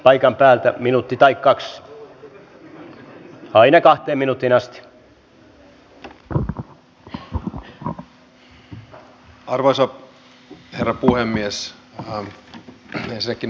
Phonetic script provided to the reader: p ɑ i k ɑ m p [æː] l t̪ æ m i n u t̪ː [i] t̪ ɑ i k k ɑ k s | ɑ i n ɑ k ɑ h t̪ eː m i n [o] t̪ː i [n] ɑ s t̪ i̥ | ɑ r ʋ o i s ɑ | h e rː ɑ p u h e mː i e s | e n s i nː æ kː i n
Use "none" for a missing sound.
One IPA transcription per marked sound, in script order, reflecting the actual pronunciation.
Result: æː, i, u, n

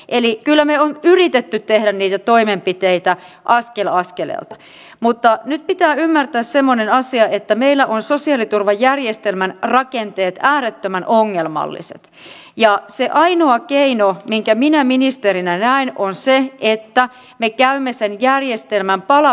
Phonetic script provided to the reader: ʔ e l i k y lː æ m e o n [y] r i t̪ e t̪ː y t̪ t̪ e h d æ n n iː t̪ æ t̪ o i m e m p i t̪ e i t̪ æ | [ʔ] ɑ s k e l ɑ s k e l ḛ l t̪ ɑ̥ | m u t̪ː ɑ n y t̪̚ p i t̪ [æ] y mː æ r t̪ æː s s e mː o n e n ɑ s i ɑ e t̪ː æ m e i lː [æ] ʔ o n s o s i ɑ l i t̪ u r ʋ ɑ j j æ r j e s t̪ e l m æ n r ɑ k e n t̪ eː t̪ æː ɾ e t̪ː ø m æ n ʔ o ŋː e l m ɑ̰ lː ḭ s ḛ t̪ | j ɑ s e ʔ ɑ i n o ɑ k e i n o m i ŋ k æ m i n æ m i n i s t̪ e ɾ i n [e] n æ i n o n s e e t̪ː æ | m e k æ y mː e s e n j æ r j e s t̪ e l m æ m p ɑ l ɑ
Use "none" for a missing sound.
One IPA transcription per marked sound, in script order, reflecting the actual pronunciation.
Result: y, ʔ, æː, æ, æ

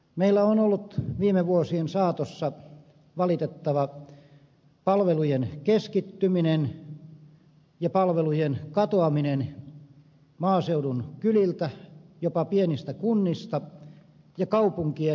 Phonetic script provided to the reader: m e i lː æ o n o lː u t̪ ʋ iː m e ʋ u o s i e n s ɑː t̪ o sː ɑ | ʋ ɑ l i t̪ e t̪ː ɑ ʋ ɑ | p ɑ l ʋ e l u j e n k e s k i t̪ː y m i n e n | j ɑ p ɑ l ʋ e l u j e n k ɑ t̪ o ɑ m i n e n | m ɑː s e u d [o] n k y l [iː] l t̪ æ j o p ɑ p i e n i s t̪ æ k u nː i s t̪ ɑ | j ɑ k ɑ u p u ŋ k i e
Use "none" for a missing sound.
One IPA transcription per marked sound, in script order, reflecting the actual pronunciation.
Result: u, i

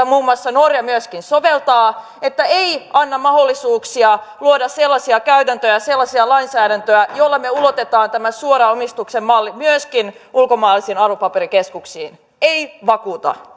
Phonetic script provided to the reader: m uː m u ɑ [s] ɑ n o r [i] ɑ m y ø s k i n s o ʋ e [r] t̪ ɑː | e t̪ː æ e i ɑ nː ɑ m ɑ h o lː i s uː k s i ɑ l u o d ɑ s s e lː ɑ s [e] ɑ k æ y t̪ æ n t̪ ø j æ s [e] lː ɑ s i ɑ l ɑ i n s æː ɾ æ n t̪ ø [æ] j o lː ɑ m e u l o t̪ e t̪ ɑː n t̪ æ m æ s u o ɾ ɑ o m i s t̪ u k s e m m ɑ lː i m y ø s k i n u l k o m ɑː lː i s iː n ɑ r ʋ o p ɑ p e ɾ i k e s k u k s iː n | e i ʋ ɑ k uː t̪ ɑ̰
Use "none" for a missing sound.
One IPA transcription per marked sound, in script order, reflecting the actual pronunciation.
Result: sː, j, l, i, e, æ

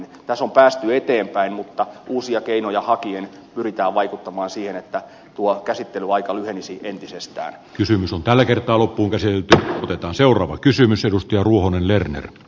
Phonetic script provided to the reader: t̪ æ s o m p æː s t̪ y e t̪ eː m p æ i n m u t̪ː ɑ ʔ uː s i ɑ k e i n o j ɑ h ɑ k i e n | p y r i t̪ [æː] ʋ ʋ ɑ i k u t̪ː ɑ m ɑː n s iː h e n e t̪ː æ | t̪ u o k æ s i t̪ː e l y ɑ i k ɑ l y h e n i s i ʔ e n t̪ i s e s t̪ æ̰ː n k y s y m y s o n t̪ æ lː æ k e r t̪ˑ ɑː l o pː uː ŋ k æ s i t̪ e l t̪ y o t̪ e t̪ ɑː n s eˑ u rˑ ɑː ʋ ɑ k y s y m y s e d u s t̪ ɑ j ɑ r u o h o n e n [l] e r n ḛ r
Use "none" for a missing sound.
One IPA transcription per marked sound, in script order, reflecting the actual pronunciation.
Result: æː, l

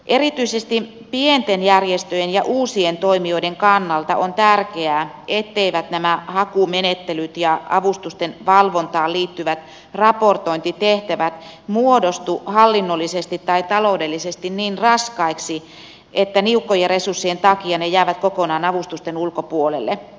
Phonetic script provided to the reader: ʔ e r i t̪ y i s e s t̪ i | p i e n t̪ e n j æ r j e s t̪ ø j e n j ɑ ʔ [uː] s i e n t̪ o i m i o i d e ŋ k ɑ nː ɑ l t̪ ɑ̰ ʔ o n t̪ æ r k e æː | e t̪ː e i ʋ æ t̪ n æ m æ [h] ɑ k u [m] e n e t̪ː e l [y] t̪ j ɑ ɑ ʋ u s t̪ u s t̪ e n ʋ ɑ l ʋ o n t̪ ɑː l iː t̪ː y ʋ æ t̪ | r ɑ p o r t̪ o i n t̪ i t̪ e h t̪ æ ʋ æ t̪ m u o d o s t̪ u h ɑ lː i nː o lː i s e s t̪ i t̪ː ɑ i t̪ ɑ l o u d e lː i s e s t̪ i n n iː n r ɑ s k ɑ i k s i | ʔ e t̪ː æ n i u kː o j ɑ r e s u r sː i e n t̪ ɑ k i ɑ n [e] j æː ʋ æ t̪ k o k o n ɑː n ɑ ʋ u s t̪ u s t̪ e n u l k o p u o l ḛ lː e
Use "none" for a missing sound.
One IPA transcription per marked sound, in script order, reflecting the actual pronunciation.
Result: uː, h, m, y, e

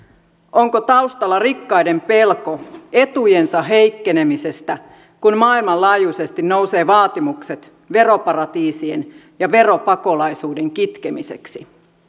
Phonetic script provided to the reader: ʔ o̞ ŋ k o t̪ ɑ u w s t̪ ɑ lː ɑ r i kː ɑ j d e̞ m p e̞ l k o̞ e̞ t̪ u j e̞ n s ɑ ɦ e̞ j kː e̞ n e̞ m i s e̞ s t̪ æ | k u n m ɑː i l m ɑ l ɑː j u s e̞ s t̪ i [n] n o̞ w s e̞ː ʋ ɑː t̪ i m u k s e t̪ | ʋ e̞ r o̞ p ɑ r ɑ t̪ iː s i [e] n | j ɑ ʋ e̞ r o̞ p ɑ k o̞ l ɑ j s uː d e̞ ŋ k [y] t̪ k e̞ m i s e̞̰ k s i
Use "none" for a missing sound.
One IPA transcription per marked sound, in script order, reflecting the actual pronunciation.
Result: n, e, i

